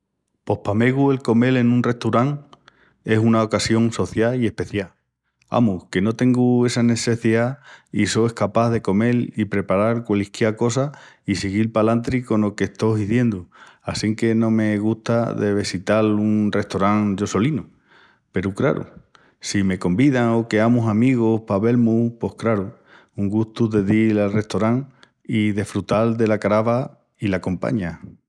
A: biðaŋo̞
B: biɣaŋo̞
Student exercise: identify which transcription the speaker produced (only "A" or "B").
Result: A